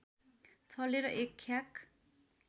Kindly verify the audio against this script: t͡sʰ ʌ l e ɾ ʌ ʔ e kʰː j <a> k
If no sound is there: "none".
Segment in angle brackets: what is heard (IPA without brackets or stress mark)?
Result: a